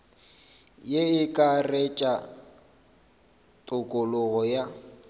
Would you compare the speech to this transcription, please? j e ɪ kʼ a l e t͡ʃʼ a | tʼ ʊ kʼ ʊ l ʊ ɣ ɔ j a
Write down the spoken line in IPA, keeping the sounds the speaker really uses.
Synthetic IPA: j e ɪ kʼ a r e t͡ʃʼ a | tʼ ʊ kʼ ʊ l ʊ ɣ ɔ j a